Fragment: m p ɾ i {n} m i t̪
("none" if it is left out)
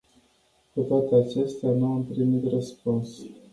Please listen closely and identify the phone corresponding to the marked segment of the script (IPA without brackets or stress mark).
none